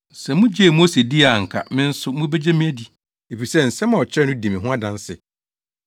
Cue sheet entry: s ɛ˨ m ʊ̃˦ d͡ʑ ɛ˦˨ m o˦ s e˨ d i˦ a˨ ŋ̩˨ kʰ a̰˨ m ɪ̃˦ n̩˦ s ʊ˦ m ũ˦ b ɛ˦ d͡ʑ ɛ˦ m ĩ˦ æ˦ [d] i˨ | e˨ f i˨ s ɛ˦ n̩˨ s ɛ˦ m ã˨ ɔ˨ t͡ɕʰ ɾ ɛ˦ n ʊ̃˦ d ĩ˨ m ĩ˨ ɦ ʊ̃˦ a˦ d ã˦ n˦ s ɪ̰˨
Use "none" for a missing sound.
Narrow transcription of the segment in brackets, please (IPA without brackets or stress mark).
d